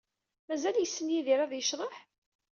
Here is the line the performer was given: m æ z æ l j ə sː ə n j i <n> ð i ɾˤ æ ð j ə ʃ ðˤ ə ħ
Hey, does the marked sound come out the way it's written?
no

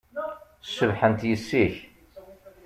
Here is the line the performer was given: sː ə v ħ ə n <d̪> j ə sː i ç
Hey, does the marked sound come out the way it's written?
no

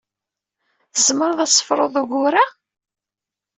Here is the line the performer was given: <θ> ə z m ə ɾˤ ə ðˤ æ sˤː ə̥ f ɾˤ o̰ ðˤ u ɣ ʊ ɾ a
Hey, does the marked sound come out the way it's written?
yes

